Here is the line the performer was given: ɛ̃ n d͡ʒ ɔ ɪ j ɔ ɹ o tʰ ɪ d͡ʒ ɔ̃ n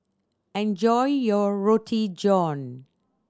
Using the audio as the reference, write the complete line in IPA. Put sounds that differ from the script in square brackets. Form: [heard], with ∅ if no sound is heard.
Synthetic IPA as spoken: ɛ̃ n d͡ʒ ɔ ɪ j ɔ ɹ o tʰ [i] d͡ʒ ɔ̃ n